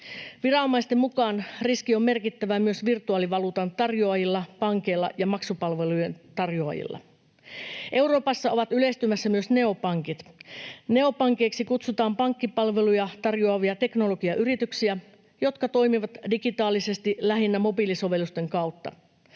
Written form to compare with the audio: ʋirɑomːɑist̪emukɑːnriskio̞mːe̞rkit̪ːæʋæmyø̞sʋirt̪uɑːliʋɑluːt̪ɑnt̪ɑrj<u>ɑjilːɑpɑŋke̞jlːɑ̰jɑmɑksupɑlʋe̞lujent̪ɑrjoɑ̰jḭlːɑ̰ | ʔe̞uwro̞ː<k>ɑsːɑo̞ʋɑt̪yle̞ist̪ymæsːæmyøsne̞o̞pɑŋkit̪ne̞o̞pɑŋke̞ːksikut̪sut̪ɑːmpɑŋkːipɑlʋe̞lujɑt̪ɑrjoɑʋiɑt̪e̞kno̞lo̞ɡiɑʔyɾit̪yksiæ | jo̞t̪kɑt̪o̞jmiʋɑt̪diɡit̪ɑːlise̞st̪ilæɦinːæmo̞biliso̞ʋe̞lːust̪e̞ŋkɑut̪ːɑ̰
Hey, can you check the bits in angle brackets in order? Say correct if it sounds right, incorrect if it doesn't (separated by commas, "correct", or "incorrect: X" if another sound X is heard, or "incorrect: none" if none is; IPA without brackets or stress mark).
incorrect: o, incorrect: p